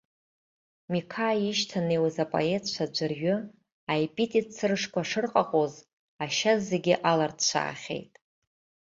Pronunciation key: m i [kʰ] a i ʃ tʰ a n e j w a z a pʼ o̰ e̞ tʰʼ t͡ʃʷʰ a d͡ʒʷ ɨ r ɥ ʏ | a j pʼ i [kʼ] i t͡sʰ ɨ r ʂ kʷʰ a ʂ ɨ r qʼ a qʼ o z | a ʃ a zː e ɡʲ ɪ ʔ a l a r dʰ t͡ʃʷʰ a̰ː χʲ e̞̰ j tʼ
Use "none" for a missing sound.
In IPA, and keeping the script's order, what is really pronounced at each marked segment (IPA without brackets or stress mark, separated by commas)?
kʰ, tʼ